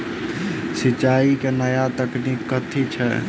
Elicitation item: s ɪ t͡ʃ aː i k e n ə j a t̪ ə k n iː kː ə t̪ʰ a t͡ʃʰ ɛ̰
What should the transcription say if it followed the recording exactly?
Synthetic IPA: s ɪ t͡ʃ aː i k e n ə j a t̪ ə k n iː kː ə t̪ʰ i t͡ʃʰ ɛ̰